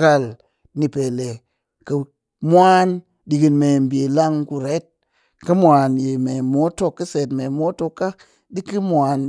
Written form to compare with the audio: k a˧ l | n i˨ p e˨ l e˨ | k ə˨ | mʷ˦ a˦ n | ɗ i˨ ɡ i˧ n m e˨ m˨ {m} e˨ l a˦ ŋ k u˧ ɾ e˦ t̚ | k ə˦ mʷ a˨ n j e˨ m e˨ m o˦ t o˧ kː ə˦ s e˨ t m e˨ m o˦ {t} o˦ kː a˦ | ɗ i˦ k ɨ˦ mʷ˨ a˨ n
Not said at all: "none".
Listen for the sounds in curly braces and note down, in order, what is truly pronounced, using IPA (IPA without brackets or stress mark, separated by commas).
b, t